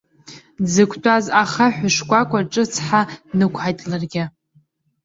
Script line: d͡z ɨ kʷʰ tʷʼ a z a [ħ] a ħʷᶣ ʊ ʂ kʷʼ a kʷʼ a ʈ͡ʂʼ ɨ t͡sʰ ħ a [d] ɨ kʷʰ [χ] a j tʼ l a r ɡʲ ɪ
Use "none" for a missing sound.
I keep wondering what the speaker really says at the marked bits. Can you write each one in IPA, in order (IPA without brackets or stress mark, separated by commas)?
χ, n, ħ